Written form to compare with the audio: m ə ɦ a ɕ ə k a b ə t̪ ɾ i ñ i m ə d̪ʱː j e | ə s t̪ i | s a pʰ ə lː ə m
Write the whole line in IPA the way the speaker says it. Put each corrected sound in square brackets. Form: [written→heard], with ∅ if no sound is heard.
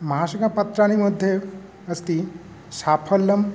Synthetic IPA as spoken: m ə ɦ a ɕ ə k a [b→p] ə t̪ ɾ [i→a] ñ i m ə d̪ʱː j e | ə s t̪ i | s a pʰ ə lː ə m